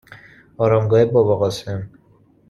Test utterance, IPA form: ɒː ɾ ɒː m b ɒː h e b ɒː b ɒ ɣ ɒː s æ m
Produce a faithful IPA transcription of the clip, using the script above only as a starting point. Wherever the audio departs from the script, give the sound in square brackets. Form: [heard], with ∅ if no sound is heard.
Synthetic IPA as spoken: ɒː ɾ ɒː m [ɡ] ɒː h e b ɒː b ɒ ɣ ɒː s [e] m